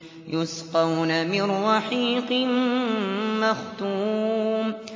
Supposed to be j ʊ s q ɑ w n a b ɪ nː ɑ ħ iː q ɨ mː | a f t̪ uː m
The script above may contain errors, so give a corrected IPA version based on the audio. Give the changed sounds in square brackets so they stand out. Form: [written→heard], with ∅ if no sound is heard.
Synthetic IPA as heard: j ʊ s q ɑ w n a [b→m] ɪ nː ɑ ħ iː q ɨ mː | a [f→x] t̪ uː m